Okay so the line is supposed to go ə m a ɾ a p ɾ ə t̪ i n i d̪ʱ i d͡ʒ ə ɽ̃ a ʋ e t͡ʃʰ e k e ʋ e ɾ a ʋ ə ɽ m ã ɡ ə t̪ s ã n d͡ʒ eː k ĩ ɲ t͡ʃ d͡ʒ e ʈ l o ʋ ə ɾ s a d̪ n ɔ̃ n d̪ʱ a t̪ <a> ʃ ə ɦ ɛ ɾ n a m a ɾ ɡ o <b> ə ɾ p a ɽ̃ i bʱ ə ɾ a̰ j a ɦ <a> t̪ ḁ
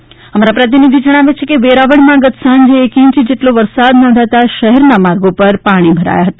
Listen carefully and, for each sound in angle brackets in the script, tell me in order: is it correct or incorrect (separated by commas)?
correct, incorrect, incorrect